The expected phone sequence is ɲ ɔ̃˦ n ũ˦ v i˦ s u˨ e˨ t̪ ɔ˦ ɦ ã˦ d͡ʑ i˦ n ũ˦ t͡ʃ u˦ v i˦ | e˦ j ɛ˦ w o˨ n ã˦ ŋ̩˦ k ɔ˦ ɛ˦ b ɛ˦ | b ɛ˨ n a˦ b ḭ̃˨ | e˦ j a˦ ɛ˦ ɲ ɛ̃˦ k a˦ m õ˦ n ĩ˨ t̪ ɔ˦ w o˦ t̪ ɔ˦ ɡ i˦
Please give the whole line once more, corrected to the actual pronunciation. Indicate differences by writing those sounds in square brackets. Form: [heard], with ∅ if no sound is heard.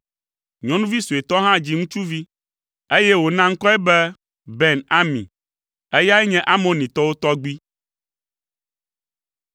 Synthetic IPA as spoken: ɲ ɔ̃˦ n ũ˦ v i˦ s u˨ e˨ t̪ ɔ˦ ɦ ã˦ d͡ʑ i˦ [ŋ] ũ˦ t͡ʃ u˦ v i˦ | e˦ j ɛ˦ w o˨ n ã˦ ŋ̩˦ k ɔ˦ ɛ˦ b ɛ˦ | b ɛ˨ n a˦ [m] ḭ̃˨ | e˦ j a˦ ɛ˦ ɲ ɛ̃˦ [ʔ] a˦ m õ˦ n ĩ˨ t̪ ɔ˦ w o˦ t̪ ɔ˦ [ɡ͡b] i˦